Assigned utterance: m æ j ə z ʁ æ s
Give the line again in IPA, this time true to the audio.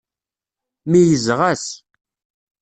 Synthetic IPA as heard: m i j ə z ʁ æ s